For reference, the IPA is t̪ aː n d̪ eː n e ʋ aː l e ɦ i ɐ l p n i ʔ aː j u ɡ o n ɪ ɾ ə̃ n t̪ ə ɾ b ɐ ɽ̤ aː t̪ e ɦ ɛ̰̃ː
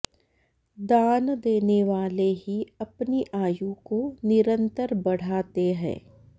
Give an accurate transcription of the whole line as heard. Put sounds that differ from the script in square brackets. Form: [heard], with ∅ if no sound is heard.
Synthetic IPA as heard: [d̪] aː n d̪ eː n e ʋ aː l e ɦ i ɐ [∅] p n i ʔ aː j u [k] o n ɪ ɾ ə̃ n t̪ ə ɾ b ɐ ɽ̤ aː t̪ e ɦ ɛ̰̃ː